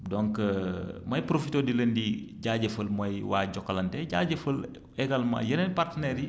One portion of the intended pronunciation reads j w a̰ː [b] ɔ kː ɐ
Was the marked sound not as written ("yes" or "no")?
yes